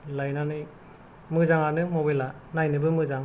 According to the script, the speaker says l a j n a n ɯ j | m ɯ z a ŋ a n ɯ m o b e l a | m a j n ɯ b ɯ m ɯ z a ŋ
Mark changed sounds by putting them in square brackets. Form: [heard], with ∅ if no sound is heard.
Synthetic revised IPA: l a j n a n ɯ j | m ɯ z a ŋ a n ɯ m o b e l a | [n] a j n ɯ b ɯ m ɯ z a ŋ